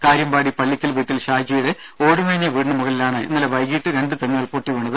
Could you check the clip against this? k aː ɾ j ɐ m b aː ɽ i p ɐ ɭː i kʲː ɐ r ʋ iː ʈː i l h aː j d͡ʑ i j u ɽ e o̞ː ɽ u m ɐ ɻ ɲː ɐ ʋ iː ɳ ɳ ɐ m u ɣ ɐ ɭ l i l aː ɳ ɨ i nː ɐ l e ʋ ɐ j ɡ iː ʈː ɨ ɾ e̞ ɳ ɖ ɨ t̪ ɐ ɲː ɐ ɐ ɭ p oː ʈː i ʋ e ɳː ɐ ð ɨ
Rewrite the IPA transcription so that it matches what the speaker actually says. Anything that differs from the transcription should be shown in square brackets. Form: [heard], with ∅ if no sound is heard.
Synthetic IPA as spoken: k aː ɾ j ɐ m b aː ɽ i p ɐ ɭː i kʲː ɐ [l] ʋ iː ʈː i l [ɕ] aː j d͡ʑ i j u ɽ e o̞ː ɽ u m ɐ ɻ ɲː ɐ ʋ iː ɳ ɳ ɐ m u ɣ ɐ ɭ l i l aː ɳ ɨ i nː ɐ l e ʋ ɐ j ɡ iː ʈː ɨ ɾ e̞ ɳ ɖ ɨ t̪ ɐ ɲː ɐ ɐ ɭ p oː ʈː i ʋ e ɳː ɐ ð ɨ